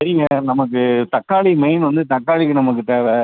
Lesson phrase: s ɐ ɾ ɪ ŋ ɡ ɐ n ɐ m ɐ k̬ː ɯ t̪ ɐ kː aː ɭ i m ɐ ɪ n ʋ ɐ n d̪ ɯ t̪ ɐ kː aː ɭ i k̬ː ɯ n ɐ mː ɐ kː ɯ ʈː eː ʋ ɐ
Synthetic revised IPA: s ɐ ɾ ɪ ŋ ɡ ɐ n ɐ m ɐ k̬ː ɯ t̪ ɐ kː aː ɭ i m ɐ ɪ n ʋ ɐ n d̪ ɯ t̪ ɐ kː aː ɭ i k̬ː ɯ n ɐ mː ɐ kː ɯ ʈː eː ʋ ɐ